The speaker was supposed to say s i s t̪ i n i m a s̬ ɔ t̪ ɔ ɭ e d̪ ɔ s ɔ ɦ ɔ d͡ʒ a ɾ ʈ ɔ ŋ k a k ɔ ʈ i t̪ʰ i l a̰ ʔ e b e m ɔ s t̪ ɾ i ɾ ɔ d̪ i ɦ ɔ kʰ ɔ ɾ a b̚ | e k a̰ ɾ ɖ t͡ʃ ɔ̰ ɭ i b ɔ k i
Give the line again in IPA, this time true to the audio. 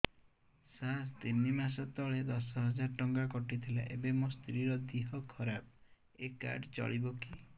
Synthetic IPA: s a s t̪ i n i m a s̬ ɔ t̪ ɔ ɭ e d̪ ɔ s ɔ ɦ ɔ d͡ʒ a ɾ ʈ ɔ ŋ ɡ a k ɔ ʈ i t̪ʰ i l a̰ ʔ e b e m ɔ s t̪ ɾ i ɾ ɔ d̪ i ɦ ɔ kʰ ɔ ɾ a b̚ | e k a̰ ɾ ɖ t͡ʃ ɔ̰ ɭ i b ɔ k i